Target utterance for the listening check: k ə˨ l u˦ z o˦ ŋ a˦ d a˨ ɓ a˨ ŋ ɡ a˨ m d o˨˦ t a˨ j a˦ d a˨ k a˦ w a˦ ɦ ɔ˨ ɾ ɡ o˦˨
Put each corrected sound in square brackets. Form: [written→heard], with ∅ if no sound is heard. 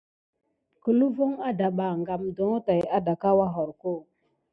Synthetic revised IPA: k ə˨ l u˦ [z→v] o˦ ŋ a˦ d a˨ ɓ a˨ ŋ ɡ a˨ m d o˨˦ t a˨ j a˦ d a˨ k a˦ w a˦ ɦ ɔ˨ ɾ [ɡ→k] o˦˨

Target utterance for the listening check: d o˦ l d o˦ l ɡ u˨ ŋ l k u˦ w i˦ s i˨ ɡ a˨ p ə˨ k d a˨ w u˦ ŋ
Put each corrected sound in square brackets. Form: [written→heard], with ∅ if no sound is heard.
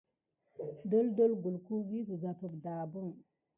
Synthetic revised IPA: d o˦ l d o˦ l ɡ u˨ [ŋ→∅] l k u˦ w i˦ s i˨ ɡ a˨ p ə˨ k d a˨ [w→b] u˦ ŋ

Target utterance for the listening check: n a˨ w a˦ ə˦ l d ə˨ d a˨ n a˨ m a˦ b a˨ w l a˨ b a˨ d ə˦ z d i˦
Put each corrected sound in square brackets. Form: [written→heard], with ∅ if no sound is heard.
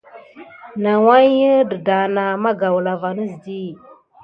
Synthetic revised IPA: n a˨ w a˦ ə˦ [l→∅] d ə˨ d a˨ n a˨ m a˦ [b→ɡ] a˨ w l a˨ [b→v] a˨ [d→n] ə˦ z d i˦

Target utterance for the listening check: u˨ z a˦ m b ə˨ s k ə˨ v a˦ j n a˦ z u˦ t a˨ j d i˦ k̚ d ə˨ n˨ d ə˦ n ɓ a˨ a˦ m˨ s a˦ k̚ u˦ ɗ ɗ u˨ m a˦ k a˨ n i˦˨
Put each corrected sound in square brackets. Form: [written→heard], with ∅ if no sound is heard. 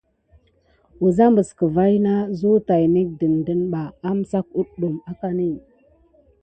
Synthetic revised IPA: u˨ z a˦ m b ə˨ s k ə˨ v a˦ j n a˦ z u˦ t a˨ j [d→n] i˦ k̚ d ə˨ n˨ d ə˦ n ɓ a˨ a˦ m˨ s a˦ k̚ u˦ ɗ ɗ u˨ m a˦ k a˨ n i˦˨

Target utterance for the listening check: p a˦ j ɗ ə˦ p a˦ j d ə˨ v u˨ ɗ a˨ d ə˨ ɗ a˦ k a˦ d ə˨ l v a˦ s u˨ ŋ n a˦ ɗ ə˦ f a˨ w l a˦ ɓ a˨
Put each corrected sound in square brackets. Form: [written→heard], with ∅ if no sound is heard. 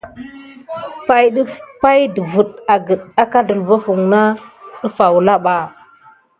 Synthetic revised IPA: p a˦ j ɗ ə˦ p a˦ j d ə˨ v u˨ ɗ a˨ [d→ɡ] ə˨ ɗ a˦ k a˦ d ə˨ l v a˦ [s→f] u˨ ŋ n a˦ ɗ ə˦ f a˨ w l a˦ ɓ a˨

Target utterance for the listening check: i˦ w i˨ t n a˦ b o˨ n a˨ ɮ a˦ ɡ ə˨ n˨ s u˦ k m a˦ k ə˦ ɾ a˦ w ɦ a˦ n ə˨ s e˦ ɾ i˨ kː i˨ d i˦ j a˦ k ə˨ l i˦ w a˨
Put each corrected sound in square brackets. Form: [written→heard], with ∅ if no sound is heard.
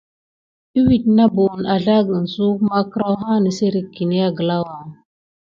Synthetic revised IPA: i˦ w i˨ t n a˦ b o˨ n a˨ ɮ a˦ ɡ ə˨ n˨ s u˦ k m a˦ k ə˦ ɾ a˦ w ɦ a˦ n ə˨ s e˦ ɾ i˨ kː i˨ [d→n] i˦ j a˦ [k→ɡ] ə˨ l [i˦→a˦] w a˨

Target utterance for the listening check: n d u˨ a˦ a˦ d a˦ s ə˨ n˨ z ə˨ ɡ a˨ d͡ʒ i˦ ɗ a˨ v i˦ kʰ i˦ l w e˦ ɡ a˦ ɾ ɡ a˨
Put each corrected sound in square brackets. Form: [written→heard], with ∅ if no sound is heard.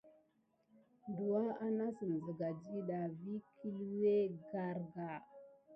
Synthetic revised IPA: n d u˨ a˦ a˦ [d→n] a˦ s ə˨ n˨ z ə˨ ɡ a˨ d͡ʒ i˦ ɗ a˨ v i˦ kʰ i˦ l w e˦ ɡ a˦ ɾ ɡ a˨

